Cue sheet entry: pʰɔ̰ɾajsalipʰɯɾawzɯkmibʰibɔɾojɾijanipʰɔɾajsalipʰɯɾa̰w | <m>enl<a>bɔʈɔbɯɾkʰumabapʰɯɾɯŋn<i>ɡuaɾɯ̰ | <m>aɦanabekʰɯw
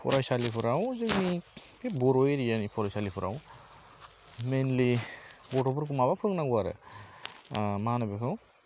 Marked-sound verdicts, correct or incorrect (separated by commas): correct, incorrect, incorrect, correct